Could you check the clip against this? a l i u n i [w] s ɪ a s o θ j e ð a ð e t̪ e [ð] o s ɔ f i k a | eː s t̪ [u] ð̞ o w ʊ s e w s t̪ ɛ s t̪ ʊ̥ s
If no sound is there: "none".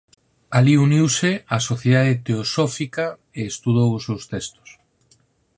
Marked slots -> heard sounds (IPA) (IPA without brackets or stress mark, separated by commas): w, none, u